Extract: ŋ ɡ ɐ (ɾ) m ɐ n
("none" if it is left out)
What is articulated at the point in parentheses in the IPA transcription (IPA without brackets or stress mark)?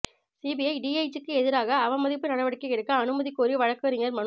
ɾ